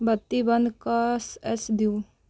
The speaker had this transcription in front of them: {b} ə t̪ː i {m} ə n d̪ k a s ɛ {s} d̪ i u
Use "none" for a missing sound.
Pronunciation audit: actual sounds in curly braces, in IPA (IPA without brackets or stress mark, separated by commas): b, b, s